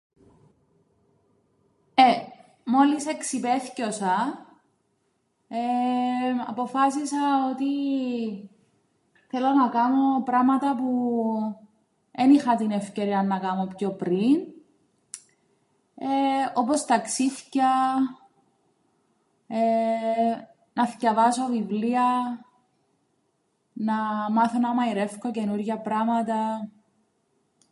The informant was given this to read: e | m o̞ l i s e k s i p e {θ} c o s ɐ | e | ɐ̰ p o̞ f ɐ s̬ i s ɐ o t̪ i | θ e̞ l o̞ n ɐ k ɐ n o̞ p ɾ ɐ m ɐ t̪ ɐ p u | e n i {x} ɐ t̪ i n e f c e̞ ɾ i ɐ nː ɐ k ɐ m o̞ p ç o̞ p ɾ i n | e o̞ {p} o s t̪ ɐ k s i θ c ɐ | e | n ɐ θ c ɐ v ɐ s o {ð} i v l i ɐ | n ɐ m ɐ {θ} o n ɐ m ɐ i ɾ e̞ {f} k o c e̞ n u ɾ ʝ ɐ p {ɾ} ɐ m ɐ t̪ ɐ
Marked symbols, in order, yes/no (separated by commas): yes, yes, yes, no, yes, yes, yes